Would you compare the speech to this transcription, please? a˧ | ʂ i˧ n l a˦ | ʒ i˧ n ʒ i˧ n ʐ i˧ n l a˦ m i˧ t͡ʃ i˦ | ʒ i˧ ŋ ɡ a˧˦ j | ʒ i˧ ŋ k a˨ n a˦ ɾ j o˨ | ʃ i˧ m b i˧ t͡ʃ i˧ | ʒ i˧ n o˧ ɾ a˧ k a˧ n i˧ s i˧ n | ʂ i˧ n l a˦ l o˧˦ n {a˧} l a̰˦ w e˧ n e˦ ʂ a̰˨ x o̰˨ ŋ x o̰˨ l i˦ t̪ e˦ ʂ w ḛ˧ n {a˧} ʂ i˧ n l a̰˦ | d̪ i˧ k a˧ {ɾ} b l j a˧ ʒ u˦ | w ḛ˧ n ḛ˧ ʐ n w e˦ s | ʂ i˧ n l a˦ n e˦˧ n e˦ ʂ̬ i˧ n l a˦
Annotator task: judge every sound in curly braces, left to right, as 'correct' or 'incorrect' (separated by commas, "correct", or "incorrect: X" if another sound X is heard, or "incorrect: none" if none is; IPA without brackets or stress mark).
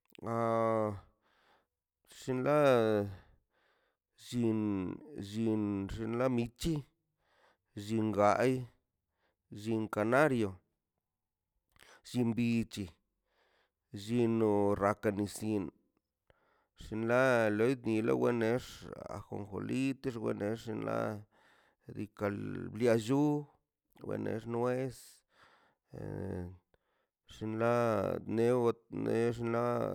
incorrect: i˧, incorrect: e˧, incorrect: l